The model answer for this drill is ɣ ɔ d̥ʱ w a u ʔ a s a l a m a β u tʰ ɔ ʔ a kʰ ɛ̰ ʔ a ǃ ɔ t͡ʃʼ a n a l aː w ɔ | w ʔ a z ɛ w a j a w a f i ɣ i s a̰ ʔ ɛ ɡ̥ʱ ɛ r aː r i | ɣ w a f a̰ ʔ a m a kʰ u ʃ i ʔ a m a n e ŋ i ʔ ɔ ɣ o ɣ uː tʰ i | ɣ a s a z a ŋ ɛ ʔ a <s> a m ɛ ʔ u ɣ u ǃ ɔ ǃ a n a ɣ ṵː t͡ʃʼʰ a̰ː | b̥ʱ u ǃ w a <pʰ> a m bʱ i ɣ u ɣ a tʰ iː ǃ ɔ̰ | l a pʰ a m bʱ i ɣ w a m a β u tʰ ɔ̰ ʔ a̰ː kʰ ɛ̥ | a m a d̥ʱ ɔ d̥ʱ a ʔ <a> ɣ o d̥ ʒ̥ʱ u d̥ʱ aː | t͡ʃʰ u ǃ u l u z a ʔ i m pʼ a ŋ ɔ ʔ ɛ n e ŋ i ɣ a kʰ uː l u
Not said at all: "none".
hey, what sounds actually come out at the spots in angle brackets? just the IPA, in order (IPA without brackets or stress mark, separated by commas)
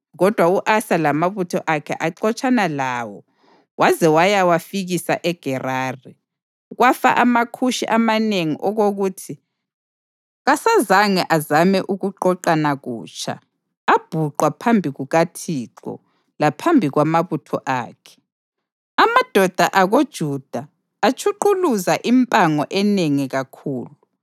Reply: z, pʰ, a